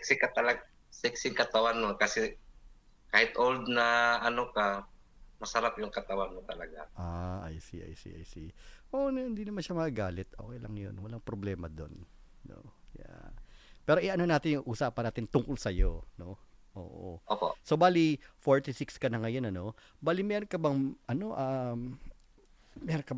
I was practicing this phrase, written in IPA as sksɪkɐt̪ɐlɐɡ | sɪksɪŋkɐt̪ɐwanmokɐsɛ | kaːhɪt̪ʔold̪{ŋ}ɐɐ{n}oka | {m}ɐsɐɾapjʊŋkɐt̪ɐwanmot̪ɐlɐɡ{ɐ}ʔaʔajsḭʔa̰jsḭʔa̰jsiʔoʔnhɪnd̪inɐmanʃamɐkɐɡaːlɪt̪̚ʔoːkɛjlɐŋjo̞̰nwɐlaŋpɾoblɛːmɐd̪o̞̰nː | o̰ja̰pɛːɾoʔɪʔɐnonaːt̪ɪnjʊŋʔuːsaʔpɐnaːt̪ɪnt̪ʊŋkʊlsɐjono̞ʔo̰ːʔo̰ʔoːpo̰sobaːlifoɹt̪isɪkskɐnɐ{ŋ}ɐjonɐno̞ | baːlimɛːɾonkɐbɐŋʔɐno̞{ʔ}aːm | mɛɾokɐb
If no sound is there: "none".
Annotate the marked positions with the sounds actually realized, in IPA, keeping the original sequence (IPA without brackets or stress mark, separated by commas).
n, n, m, a, ŋ, ʔ